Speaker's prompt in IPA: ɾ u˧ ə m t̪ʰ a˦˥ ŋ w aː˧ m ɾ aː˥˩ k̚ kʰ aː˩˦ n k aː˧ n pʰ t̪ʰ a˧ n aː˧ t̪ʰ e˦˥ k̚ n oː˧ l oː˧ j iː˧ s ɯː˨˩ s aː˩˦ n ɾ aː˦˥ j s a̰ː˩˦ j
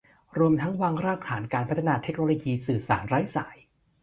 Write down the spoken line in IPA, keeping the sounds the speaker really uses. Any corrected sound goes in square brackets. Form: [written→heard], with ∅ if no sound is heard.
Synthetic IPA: ɾ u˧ ə m t̪ʰ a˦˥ ŋ w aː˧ [m→ŋ] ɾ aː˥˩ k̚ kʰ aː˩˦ n k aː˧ n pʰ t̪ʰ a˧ n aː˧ t̪ʰ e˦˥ k̚ n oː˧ l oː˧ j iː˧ s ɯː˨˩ s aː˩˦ n ɾ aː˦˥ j s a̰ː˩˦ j